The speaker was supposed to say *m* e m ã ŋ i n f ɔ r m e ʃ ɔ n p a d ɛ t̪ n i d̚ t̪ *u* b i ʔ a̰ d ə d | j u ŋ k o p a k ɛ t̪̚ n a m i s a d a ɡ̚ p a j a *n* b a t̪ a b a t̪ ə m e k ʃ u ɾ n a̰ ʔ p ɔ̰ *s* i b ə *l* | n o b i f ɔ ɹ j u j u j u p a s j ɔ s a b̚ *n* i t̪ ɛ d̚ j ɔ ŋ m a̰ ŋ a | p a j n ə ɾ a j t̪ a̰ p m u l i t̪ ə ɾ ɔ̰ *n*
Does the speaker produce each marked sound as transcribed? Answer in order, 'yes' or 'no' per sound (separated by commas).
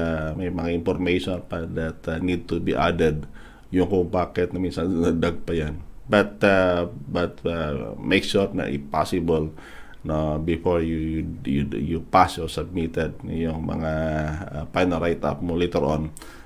yes, yes, yes, yes, yes, no, yes